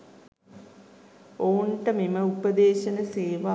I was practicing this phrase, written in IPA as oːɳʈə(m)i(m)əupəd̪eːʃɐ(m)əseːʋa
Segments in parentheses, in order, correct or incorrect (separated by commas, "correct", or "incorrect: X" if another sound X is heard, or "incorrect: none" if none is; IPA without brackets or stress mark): correct, correct, incorrect: n